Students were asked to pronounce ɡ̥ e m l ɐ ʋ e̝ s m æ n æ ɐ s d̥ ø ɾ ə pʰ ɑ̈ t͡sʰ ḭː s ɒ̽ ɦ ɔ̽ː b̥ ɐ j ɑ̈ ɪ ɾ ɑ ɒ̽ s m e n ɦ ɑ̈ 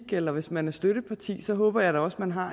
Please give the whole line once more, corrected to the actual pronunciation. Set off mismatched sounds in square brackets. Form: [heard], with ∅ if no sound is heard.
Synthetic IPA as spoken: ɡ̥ e [∅] l ɐ ʋ e̝ s m æ n æ ɐ s d̥ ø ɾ ə pʰ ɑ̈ t͡sʰ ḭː s ɒ̽ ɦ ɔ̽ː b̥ ɐ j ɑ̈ ɪ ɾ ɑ ɒ̽ s m [æ] n ɦ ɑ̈